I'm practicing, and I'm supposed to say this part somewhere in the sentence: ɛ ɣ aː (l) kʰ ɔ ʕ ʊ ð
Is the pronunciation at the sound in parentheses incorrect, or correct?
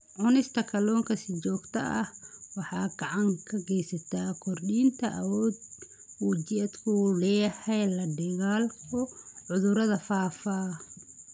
correct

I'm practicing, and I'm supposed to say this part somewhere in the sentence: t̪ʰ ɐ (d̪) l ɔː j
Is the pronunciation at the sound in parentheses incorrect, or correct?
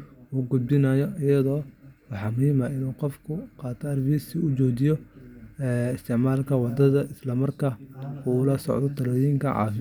incorrect: none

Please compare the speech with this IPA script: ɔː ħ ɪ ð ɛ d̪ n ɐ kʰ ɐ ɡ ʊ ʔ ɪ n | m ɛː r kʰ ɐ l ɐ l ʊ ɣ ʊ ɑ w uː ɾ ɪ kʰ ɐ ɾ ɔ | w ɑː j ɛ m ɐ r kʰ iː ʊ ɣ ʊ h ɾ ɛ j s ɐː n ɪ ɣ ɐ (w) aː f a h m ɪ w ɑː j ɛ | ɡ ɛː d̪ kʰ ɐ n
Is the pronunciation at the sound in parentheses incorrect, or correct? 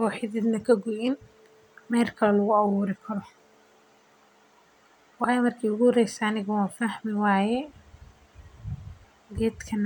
correct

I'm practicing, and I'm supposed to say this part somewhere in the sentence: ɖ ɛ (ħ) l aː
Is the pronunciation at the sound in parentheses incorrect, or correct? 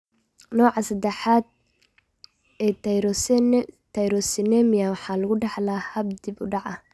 correct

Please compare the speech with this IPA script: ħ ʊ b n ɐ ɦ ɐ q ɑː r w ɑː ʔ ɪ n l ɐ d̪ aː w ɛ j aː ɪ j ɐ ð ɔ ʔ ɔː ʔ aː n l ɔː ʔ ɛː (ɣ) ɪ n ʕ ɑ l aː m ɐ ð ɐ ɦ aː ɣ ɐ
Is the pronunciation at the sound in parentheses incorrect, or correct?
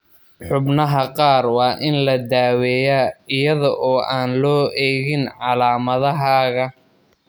correct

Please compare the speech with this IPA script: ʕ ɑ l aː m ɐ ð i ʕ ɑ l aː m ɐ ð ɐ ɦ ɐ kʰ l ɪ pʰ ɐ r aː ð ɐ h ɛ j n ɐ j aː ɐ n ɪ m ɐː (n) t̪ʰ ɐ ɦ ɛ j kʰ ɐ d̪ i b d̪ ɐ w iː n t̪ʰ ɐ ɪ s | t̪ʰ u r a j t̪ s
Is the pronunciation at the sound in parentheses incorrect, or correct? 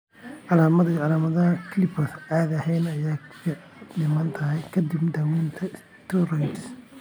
correct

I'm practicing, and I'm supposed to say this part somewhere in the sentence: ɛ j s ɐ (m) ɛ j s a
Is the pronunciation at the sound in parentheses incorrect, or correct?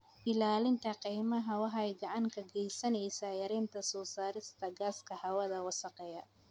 incorrect: n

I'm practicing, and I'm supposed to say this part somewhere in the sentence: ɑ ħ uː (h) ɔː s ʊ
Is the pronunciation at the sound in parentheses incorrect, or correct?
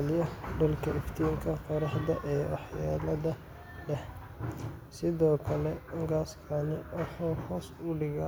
correct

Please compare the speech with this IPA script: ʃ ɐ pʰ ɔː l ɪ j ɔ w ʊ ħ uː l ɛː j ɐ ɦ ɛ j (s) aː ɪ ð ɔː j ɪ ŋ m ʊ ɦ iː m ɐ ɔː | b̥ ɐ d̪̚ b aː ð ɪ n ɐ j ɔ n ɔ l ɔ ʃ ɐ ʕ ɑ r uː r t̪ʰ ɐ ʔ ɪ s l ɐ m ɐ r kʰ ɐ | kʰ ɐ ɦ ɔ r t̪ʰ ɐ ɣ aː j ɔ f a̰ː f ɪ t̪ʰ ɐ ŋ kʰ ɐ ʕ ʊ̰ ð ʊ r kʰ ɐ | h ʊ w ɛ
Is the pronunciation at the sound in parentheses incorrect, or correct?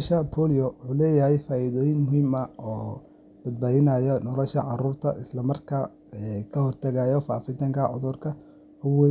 incorrect: f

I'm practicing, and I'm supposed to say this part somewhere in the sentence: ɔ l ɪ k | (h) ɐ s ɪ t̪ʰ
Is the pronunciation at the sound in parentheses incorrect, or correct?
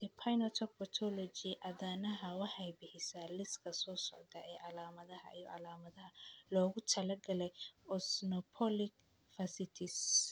incorrect: f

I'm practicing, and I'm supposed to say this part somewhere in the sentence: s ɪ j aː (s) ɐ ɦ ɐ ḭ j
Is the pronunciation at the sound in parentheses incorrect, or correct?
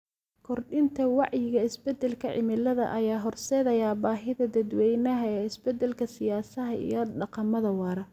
correct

